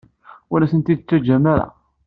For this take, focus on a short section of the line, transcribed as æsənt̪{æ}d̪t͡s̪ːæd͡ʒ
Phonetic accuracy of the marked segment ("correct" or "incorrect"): incorrect